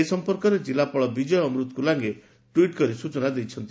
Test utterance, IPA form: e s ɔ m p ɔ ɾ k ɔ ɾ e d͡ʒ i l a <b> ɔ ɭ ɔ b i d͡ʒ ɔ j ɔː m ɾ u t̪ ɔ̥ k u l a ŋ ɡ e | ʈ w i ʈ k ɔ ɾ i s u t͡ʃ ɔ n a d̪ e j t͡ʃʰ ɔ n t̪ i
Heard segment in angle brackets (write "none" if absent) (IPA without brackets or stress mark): p